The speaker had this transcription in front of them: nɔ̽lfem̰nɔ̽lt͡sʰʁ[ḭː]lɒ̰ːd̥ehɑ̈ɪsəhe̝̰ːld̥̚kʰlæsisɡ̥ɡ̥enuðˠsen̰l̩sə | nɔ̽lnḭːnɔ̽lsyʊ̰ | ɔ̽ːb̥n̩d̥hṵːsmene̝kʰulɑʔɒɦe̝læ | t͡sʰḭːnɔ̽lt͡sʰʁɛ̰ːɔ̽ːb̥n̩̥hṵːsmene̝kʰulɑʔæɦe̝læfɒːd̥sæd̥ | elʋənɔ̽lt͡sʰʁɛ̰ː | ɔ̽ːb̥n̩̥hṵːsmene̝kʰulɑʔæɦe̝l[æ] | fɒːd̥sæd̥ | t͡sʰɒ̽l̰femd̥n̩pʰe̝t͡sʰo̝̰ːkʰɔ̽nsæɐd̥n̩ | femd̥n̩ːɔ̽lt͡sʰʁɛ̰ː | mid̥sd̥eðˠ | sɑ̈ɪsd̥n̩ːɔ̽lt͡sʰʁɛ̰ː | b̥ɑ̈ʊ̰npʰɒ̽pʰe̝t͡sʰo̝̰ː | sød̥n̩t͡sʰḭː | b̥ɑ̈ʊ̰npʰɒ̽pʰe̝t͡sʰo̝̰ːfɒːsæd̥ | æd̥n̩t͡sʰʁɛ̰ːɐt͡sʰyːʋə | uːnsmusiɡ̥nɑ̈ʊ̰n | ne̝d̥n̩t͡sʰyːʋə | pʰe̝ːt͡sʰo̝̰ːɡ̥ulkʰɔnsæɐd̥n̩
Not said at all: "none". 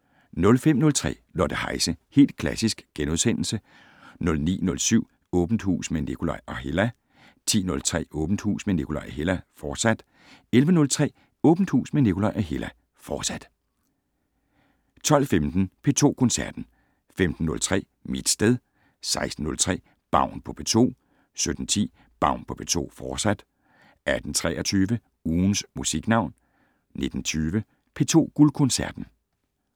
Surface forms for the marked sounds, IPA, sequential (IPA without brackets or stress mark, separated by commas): ɛ̰ː, æ